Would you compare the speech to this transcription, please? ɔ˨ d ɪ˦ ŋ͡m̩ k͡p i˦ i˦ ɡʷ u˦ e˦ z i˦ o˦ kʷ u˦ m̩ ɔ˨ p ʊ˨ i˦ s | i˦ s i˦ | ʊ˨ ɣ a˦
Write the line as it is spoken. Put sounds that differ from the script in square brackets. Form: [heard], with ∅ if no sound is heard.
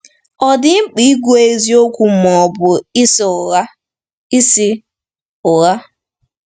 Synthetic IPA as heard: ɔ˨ d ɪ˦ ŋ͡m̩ k͡p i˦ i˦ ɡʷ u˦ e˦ z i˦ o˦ kʷ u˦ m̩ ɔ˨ [b] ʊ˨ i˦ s | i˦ s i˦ | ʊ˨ ɣ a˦